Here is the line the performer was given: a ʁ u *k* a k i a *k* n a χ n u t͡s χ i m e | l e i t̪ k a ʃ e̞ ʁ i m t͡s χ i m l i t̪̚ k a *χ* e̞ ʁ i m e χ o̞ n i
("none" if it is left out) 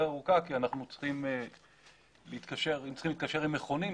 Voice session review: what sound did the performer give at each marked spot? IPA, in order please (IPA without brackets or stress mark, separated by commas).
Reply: k, none, ʃ